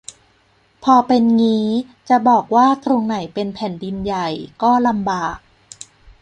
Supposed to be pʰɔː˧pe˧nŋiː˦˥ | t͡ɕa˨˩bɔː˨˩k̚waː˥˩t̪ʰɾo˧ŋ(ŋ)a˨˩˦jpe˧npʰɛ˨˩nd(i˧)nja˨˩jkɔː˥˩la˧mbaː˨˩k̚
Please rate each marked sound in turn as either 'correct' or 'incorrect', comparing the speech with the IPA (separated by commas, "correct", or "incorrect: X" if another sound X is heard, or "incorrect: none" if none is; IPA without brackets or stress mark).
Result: incorrect: n, correct